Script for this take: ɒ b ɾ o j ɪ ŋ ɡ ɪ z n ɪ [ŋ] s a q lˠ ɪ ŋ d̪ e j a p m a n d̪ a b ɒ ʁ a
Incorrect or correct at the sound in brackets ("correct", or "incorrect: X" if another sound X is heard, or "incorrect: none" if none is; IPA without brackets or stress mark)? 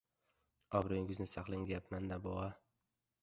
incorrect: none